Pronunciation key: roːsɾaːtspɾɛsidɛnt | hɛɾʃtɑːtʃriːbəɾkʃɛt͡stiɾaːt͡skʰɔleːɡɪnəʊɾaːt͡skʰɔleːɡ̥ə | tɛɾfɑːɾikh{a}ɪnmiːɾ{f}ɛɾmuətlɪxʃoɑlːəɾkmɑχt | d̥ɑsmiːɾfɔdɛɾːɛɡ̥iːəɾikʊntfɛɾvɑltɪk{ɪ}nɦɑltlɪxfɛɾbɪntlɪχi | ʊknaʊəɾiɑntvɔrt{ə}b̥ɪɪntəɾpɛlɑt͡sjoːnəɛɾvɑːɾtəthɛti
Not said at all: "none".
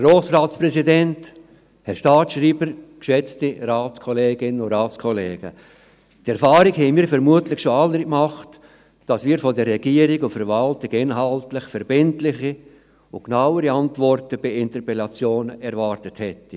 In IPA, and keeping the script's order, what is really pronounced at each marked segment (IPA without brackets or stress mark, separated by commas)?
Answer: ɛ, f, ɪ, ə